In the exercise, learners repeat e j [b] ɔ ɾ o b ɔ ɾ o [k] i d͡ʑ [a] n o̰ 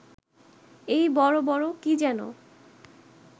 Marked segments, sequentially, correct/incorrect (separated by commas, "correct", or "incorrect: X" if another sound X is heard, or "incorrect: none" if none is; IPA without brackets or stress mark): correct, correct, incorrect: ɛ